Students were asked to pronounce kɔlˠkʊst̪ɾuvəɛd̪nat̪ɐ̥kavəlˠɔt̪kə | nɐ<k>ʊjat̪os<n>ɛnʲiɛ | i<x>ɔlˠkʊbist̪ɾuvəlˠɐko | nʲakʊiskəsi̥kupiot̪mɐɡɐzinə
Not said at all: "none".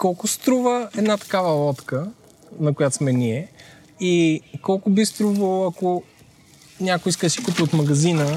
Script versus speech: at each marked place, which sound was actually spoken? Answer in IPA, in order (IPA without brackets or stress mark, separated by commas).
k, m, k